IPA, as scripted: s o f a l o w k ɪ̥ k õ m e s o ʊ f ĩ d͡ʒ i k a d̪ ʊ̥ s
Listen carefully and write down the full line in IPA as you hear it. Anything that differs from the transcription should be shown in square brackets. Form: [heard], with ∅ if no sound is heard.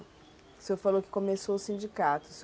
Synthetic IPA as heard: s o f a l o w k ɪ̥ k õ m e s o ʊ [s] ĩ d͡ʒ i k a [t̪] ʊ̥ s